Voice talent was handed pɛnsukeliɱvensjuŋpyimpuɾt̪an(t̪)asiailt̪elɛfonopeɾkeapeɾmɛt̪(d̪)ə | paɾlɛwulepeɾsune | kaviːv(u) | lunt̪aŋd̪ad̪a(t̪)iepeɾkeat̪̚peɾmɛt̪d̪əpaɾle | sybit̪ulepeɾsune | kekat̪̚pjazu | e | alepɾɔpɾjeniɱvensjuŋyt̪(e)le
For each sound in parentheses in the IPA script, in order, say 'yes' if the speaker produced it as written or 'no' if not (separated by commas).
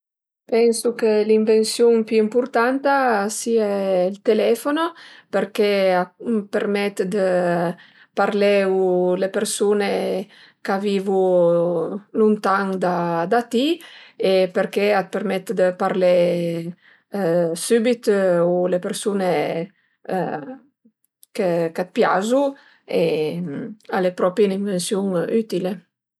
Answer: yes, yes, yes, yes, no